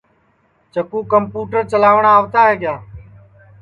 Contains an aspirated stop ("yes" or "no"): no